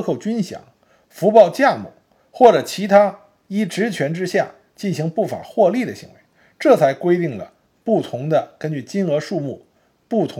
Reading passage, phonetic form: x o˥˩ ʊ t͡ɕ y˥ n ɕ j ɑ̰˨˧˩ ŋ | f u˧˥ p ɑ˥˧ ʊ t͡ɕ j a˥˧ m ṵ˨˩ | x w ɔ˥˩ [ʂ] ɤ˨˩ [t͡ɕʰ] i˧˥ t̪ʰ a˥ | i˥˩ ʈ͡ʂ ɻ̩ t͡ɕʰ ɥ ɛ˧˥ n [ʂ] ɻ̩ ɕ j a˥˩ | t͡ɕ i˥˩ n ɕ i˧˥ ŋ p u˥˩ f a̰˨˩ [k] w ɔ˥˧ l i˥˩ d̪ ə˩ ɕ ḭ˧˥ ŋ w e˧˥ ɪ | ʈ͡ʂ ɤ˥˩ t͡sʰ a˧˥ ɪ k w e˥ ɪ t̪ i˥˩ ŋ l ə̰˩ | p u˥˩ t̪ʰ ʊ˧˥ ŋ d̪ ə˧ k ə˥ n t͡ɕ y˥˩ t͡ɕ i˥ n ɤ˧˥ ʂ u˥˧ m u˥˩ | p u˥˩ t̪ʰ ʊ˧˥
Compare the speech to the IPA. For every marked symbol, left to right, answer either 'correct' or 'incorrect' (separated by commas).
incorrect, correct, incorrect, incorrect